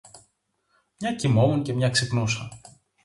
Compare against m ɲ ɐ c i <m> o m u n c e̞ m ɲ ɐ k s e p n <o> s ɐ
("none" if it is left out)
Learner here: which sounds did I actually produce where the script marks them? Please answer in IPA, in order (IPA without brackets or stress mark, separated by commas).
m, u